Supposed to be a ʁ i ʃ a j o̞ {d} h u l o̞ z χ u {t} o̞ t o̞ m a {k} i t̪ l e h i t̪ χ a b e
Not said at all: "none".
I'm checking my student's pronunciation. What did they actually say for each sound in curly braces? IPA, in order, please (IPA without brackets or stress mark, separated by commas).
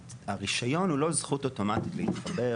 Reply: n, t, t